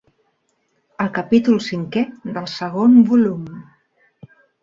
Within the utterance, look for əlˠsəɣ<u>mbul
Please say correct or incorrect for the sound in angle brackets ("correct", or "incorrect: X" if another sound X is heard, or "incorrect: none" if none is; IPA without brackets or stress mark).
incorrect: o